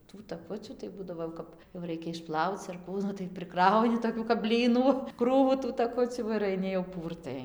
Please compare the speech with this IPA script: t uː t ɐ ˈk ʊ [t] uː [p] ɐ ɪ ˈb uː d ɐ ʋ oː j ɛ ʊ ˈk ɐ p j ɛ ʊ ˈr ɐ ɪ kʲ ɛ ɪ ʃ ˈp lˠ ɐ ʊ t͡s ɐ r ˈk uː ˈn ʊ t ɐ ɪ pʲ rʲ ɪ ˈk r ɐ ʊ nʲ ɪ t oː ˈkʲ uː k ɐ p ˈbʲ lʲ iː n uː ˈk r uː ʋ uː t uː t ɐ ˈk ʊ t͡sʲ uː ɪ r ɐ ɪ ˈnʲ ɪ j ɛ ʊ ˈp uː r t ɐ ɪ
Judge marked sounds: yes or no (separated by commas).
no, no